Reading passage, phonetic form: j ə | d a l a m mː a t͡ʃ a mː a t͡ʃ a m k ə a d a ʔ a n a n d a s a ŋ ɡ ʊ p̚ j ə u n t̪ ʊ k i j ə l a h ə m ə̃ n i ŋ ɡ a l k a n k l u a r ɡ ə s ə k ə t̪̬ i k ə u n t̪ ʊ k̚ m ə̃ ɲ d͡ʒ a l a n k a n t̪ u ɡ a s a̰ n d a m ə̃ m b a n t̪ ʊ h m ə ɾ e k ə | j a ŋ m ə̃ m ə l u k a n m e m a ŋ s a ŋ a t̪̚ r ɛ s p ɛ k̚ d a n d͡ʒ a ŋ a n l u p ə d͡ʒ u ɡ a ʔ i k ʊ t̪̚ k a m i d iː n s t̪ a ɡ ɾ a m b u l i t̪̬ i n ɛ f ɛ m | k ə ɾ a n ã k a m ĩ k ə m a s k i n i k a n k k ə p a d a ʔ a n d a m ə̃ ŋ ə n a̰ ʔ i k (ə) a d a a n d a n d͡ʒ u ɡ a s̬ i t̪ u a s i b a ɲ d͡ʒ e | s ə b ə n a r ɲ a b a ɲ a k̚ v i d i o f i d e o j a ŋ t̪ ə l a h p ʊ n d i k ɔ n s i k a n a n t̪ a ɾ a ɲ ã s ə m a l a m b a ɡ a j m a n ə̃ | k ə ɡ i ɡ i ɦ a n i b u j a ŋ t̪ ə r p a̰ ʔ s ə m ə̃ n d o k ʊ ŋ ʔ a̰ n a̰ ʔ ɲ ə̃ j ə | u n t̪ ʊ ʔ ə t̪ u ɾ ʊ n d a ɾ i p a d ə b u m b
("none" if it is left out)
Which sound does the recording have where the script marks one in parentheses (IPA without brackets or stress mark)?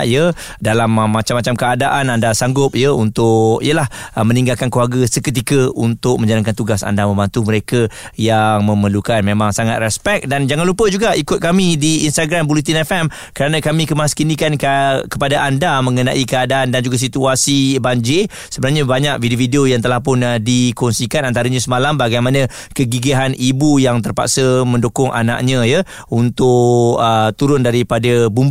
ə